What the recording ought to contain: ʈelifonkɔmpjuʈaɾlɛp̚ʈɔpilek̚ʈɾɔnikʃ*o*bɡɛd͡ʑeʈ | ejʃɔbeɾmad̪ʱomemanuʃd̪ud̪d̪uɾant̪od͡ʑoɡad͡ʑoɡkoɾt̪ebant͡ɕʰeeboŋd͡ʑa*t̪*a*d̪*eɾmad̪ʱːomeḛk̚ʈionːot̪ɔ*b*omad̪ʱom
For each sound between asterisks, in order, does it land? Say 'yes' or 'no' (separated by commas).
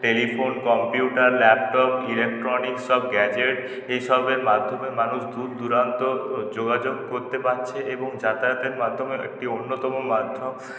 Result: no, yes, no, no